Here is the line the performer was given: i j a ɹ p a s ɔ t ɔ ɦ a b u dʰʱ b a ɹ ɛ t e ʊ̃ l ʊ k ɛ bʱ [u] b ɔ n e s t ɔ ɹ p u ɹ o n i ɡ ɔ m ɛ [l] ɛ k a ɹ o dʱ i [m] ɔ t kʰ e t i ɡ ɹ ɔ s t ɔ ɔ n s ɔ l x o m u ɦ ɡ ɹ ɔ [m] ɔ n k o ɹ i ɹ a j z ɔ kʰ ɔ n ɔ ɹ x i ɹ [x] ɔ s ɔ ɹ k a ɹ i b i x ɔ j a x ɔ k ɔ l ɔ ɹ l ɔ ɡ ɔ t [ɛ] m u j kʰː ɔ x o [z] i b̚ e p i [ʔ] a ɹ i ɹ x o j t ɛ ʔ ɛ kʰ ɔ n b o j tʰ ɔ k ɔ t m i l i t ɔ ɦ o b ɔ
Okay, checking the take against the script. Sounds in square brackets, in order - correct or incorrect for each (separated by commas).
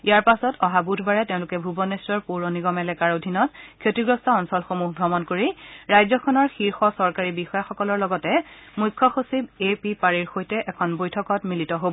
correct, correct, incorrect, correct, correct, correct, incorrect, incorrect